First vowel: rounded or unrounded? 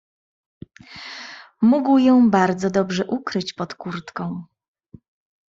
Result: rounded